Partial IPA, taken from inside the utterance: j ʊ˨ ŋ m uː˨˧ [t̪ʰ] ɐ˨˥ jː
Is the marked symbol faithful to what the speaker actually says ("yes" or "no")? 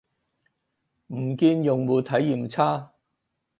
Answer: yes